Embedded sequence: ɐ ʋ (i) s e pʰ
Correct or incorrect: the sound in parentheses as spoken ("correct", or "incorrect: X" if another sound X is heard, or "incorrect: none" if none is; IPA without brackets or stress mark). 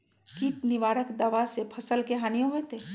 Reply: incorrect: a